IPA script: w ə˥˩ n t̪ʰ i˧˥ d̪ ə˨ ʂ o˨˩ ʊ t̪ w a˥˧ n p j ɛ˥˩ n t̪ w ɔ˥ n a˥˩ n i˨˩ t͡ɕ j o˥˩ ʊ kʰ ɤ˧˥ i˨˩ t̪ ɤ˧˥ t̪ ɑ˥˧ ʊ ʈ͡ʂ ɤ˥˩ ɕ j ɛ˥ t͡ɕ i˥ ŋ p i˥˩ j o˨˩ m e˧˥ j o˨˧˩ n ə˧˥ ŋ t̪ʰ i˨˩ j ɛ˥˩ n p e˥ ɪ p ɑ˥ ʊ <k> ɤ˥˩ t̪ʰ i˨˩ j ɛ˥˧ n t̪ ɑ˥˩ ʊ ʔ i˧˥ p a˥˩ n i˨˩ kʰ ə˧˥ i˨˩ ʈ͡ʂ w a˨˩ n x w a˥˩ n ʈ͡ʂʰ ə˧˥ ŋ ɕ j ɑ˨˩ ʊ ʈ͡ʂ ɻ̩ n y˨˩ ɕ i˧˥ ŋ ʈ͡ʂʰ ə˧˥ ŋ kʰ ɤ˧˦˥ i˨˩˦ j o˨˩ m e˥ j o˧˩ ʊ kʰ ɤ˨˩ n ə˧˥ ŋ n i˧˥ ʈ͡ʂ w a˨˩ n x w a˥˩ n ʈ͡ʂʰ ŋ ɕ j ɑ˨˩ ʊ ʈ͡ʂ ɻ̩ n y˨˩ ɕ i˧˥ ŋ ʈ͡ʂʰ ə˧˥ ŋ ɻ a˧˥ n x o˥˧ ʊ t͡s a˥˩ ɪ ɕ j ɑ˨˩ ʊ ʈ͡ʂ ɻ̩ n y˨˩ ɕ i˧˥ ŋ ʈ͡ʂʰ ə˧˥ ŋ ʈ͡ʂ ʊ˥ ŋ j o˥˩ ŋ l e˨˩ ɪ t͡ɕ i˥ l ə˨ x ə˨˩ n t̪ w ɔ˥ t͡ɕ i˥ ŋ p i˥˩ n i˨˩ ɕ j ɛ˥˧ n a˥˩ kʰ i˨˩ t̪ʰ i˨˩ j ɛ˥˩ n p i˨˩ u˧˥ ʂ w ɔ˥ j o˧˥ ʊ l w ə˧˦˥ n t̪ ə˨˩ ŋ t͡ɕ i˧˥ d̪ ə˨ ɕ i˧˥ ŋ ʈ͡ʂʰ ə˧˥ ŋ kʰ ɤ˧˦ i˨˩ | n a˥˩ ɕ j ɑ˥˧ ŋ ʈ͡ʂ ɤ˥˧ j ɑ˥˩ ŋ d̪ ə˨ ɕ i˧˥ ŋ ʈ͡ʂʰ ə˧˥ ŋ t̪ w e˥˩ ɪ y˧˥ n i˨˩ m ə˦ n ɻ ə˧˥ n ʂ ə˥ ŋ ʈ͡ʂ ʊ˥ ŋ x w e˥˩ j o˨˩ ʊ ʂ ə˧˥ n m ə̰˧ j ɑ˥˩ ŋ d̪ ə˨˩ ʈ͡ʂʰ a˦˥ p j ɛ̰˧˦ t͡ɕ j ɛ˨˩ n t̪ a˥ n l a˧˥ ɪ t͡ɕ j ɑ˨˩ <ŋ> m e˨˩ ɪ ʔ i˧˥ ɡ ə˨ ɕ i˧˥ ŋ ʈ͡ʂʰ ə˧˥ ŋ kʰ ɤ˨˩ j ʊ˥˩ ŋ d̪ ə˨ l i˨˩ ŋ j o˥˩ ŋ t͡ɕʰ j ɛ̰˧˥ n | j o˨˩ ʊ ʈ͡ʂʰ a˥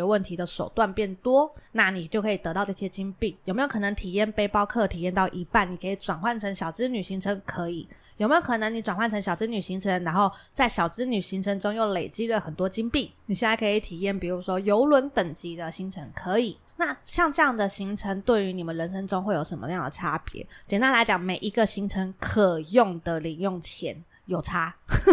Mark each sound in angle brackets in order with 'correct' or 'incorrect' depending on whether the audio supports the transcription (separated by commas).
incorrect, correct